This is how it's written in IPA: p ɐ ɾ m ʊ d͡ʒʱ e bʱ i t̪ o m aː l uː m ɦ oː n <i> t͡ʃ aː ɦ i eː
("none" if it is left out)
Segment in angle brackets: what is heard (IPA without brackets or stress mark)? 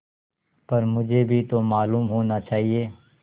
a